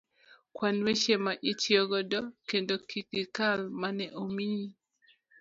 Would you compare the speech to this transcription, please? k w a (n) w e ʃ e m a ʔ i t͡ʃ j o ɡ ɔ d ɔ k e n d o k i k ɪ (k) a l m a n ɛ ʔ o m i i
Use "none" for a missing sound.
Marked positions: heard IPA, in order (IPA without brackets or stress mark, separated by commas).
n, k